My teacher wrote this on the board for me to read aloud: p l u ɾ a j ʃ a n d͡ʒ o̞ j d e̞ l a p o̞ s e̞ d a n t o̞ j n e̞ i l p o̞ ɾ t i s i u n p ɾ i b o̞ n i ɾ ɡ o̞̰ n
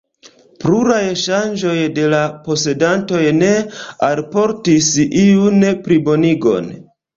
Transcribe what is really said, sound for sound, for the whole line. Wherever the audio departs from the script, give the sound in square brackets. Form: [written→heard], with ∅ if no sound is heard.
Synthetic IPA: p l u ɾ a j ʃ a n d͡ʒ o̞ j d e̞ l a p o̞ s e̞ d a n t o̞ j n e̞ [i→a] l p o̞ ɾ t i s i u n p ɾ i b o̞ n i [ɾ→∅] ɡ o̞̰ n